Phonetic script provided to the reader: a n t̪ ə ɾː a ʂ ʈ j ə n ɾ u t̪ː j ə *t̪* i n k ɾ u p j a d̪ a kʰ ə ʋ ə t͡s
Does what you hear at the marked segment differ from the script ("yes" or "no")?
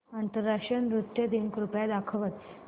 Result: yes